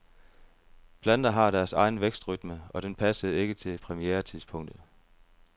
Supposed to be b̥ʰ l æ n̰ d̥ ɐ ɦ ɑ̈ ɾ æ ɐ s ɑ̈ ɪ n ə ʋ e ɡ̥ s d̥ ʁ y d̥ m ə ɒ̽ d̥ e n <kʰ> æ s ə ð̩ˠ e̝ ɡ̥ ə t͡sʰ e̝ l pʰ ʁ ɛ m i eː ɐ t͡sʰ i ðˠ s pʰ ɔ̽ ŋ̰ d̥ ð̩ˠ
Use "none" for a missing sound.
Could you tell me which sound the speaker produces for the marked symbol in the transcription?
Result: pʰ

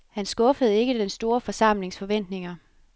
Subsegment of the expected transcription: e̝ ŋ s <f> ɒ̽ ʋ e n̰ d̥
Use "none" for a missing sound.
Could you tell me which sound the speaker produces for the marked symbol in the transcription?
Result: f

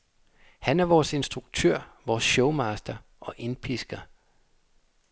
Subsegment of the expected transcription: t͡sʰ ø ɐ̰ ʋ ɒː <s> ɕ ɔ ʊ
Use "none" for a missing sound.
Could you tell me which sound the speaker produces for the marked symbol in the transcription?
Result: s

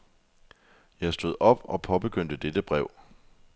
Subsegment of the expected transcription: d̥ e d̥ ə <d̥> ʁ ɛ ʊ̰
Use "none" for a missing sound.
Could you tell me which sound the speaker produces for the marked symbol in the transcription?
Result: b̥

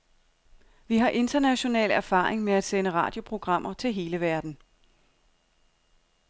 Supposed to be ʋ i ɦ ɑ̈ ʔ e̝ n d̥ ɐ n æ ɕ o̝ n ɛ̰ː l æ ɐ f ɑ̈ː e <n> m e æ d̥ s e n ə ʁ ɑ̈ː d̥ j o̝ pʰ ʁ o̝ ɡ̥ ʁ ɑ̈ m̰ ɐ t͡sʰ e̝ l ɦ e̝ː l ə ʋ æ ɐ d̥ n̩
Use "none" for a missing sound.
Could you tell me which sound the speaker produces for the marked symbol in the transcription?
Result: ŋ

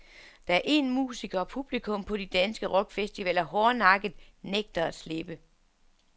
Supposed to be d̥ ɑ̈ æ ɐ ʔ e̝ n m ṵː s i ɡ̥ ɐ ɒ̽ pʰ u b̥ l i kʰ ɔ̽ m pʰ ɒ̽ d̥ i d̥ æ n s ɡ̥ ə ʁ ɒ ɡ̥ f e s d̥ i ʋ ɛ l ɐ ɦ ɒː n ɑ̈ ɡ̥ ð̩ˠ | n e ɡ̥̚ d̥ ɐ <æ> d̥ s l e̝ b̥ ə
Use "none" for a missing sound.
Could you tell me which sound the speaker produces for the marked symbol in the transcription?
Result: æ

